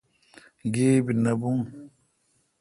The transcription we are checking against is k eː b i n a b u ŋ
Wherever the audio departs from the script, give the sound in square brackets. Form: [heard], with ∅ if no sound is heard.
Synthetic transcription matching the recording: [ɡ] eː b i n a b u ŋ